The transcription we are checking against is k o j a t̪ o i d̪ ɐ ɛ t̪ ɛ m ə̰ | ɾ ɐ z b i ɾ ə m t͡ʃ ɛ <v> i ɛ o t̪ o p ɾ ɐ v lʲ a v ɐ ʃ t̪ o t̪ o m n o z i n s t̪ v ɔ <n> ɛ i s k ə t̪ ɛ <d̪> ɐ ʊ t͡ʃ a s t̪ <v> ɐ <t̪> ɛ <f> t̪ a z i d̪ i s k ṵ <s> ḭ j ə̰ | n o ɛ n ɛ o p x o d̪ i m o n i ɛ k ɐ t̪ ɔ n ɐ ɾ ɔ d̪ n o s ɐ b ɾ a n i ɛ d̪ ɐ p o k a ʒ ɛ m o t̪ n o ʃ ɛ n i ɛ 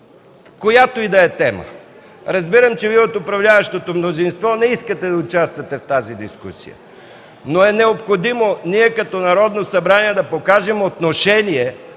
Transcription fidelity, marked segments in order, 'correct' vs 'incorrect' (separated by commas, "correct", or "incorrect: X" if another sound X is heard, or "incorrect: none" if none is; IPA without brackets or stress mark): correct, correct, correct, correct, correct, correct, correct